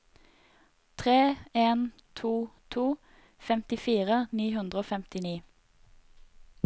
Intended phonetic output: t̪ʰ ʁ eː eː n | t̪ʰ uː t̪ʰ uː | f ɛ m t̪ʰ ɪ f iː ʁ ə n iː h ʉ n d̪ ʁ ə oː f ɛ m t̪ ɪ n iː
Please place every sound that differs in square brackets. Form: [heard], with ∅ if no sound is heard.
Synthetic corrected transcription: t̪ʰ ʁ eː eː n | t̪ʰ uː t̪ʰ uː | f ɛ m [t̪] ɪ f iː ʁ ə n iː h ʉ n d̪ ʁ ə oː f ɛ m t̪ ɪ n iː